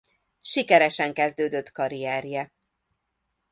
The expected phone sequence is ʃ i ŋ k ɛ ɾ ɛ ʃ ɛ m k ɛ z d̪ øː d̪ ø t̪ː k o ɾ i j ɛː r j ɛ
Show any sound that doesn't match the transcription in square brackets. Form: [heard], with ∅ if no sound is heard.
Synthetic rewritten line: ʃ i [∅] k ɛ ɾ ɛ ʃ ɛ [ŋ] k ɛ z d̪ øː d̪ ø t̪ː k [ɒ] ɾ i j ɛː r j ɛ